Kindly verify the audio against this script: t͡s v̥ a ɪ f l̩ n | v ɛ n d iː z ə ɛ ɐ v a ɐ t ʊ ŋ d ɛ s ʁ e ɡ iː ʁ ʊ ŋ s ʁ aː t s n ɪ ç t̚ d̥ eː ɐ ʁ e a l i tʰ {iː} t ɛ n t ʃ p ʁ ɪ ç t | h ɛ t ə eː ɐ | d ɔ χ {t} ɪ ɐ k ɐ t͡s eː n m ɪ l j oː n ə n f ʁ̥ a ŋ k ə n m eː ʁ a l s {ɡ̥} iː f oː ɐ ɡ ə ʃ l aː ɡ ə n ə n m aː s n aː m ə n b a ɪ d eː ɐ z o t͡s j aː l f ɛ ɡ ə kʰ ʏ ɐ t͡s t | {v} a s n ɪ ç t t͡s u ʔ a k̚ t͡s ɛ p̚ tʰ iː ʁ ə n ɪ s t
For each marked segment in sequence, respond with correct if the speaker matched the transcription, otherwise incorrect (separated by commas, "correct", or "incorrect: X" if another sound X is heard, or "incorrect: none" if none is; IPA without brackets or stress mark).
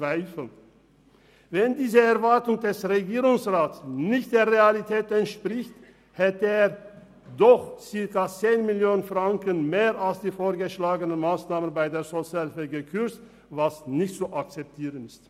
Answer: incorrect: ɛː, incorrect: t͡s, incorrect: d̥, correct